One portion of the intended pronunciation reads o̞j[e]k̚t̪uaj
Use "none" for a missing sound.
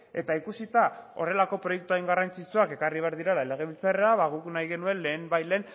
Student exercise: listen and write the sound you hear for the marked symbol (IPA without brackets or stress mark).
e